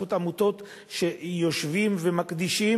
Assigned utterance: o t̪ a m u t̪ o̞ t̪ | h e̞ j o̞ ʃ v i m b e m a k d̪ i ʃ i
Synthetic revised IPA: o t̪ a m u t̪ o̞ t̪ | ʃ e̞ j o̞ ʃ v i m v e m a k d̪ i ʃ i